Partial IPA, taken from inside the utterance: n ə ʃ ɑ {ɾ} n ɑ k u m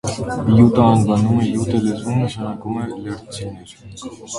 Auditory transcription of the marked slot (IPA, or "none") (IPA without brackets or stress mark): none